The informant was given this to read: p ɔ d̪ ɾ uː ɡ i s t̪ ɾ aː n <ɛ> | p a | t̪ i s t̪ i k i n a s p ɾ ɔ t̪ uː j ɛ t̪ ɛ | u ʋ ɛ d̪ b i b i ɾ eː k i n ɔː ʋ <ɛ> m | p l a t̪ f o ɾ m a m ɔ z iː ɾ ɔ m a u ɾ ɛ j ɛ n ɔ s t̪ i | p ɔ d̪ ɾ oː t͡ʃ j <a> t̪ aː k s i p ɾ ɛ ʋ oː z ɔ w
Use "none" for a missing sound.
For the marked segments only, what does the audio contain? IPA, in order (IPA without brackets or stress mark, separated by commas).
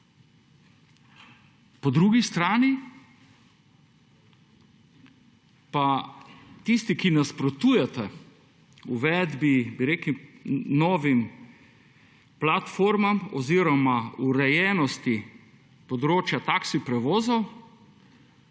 i, i, a